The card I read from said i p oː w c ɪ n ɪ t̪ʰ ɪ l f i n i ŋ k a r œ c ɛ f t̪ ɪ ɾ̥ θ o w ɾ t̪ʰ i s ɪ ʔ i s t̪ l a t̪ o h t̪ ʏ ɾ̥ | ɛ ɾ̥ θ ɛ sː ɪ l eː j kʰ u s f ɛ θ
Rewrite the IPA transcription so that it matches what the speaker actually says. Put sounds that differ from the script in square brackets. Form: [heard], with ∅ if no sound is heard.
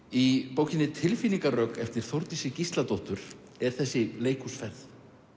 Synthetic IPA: i p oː w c ɪ n ɪ t̪ʰ ɪ l f i n i ŋ k a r œ [k] ɛ f t̪ ɪ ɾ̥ θ o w ɾ [t̪] i s ɪ [c] i s t̪ l a t̪ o h t̪ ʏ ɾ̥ | ɛ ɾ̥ θ ɛ sː ɪ l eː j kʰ u s f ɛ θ